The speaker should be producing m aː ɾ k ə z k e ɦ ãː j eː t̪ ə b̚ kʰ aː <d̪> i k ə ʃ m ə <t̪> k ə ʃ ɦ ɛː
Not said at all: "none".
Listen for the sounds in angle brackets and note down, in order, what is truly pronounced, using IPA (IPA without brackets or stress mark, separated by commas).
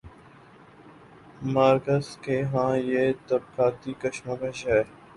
t̪, none